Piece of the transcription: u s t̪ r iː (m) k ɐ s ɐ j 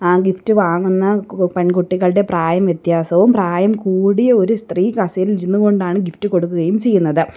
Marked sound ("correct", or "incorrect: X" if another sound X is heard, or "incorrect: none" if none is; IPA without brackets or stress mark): incorrect: none